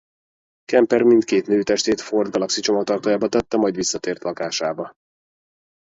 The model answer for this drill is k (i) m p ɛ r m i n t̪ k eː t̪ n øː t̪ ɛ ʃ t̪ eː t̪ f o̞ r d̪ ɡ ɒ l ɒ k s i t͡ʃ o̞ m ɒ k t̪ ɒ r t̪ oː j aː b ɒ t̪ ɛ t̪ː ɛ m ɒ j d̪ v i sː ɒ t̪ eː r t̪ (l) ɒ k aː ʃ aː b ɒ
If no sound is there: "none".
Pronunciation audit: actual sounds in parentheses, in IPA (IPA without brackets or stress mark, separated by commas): ɛ, l